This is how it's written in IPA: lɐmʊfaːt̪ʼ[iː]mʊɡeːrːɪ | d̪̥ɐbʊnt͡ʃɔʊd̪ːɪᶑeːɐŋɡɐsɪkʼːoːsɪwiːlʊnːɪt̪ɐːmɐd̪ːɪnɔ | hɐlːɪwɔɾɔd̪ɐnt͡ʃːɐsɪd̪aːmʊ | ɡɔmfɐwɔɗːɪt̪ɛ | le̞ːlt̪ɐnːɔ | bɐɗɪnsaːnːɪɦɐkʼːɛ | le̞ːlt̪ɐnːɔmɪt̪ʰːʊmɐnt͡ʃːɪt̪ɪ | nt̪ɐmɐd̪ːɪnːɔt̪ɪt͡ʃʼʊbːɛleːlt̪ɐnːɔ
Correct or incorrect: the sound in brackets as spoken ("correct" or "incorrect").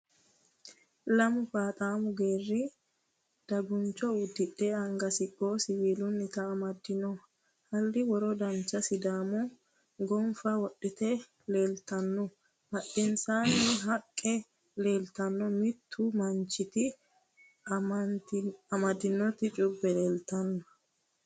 incorrect